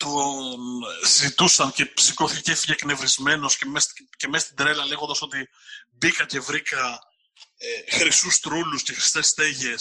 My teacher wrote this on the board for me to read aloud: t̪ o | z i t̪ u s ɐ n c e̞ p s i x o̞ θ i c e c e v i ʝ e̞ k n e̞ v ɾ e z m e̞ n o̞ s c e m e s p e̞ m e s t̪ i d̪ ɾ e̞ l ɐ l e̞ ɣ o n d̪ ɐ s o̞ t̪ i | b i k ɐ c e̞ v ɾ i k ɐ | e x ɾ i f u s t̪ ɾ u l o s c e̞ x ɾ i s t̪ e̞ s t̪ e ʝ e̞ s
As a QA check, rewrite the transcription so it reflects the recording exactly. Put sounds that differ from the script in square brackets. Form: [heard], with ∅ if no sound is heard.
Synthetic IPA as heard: t̪ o | z i t̪ u s ɐ n c e̞ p s i [k] o̞ θ i c e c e [f] i ʝ e̞ k n e̞ v ɾ [i] z m e̞ n o̞ s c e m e s [c] e̞ m e s t̪ i d̪ ɾ e̞ l ɐ l e̞ ɣ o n d̪ ɐ s o̞ t̪ i | b i k ɐ c e̞ v ɾ i k ɐ | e x ɾ i [s] u s t̪ ɾ u l [u] s c e̞ x ɾ i s t̪ e̞ s t̪ e ʝ e̞ s